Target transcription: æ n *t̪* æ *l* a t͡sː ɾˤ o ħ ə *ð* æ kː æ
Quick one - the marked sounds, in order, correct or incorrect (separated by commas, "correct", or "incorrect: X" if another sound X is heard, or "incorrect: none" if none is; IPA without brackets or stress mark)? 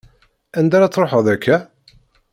incorrect: d̪, incorrect: ɾ, correct